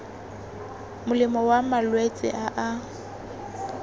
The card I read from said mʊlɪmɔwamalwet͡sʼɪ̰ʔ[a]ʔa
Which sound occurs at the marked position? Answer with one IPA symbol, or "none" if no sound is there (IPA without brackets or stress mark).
a